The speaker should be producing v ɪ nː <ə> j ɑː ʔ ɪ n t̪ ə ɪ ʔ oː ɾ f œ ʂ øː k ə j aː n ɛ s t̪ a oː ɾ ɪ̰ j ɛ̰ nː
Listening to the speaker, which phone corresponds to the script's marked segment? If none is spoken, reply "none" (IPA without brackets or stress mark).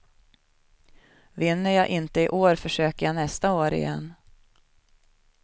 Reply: ə